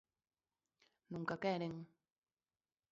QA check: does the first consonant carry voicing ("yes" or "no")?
yes